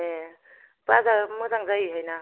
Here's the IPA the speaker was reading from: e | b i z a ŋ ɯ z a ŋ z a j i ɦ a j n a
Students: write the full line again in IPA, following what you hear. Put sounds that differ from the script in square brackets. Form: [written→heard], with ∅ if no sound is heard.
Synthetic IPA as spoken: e | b [i→a] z a [ŋ→m] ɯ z a ŋ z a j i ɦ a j n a